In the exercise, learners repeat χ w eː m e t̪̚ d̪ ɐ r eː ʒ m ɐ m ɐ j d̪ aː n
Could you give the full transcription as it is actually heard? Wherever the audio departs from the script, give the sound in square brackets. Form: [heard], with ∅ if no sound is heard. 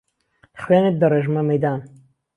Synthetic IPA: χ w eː [n] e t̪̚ d̪ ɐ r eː ʒ m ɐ m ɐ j d̪ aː n

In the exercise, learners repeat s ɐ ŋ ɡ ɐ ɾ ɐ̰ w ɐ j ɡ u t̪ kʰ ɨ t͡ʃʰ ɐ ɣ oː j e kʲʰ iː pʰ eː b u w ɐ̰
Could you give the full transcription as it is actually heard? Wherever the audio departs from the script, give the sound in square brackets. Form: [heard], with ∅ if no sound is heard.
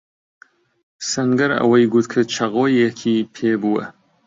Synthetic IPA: s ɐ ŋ ɡ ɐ ɾ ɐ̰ w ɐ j ɡ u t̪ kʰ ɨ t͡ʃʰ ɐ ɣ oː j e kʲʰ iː pʰ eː b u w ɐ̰

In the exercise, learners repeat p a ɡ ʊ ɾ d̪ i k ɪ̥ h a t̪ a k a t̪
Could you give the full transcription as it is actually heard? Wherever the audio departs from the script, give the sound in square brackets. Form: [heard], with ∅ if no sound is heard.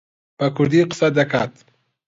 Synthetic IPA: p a [k] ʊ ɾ d̪ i [q] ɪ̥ [s] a [d̪] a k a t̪

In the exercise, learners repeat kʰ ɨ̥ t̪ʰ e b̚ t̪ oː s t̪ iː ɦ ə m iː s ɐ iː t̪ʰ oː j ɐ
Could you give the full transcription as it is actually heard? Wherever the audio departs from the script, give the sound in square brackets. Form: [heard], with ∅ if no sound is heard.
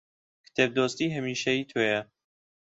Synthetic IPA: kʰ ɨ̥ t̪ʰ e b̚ [d̪] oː s t̪ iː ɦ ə m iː [ʃ] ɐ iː t̪ʰ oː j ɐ

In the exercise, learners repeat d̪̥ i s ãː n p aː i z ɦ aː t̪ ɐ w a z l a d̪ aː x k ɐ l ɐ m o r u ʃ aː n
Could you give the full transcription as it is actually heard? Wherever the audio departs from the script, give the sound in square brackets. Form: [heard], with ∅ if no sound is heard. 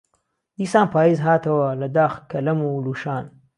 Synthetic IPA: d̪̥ i s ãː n p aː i z ɦ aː t̪ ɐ w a [∅] l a d̪ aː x k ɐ l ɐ m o [l] u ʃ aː n

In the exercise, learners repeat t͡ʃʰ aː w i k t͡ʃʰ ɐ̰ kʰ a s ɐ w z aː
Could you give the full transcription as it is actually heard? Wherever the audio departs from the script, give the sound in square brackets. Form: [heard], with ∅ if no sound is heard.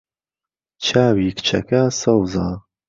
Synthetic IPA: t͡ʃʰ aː w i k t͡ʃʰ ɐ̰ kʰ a s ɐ w z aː

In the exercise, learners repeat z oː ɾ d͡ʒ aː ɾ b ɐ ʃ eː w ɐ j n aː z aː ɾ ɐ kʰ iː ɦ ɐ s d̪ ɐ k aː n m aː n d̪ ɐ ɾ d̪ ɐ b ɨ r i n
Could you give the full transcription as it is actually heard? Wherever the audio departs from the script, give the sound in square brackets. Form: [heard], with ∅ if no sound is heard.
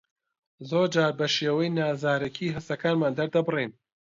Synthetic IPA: z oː ɾ d͡ʒ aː ɾ b ɐ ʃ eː w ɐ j n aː z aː ɾ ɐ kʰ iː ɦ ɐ s [t̪] ɐ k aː n m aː n d̪ ɐ ɾ d̪ ɐ b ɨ r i n

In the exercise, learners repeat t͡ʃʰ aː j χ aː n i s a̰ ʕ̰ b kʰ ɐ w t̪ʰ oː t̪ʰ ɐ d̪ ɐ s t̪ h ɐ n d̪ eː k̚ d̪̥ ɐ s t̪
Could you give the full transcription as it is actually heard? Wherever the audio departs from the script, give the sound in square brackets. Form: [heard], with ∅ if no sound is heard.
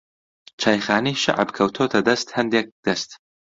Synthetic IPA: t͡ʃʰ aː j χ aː n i [ʃ] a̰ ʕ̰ b kʰ ɐ w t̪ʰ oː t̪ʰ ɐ d̪ ɐ s t̪ h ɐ n d̪ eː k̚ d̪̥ ɐ s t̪

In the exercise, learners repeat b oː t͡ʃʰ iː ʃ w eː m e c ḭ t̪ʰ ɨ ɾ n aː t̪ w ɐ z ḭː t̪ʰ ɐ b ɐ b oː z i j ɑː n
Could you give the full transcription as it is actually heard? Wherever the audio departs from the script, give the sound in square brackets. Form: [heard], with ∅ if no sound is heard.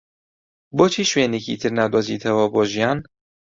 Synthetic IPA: b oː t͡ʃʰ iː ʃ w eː [n] e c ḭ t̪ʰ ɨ ɾ n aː [d̪] w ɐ z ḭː t̪ʰ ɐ [w] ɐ b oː [ʒ] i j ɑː n

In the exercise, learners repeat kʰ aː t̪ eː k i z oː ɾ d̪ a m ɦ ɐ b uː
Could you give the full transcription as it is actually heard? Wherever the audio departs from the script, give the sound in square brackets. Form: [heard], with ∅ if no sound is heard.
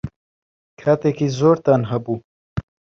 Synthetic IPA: kʰ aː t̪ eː k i z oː ɾ [t̪] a [n] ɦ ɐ b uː

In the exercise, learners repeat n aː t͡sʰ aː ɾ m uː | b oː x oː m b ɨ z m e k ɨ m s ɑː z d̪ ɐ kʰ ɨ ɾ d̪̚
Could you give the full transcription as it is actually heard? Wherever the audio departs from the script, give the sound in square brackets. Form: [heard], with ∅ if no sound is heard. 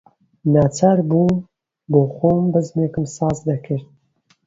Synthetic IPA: n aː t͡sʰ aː ɾ [b] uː | b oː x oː m b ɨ z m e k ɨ m s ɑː z d̪ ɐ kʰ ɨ ɾ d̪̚

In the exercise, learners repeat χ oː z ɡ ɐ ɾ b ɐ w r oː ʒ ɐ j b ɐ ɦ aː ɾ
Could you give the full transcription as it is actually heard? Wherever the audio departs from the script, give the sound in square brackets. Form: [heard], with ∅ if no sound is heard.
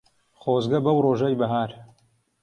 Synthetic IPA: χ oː z ɡ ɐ [∅] b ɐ w r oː ʒ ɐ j b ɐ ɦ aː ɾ

